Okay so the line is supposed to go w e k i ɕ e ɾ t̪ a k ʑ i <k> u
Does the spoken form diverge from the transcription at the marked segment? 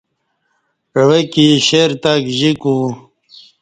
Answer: no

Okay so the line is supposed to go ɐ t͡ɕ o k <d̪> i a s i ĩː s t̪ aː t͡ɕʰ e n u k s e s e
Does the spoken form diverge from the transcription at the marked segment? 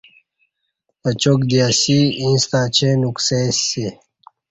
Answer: no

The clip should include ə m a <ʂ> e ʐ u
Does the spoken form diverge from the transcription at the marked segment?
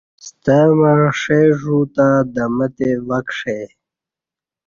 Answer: no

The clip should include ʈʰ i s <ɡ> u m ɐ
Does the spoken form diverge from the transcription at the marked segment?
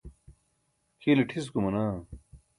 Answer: yes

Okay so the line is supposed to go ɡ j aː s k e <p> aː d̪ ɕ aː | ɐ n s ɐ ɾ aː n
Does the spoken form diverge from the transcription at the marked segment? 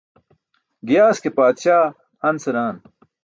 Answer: no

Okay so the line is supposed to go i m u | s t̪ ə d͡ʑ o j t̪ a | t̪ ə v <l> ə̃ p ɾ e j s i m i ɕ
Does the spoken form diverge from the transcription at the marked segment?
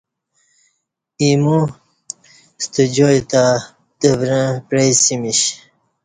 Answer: yes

